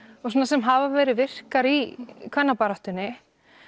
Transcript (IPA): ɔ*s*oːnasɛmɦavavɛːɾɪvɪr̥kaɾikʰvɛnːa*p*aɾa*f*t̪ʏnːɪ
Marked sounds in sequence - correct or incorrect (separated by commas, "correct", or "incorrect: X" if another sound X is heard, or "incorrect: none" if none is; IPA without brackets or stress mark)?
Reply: correct, correct, incorrect: h